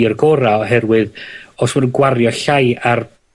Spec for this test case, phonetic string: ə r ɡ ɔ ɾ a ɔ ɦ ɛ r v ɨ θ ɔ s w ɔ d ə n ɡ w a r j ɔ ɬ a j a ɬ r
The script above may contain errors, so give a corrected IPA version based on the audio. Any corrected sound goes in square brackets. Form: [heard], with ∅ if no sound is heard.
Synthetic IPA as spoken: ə r ɡ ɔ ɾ a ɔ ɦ ɛ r [w] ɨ [ð] ɔ s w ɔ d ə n ɡ w a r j ɔ ɬ a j a [∅] r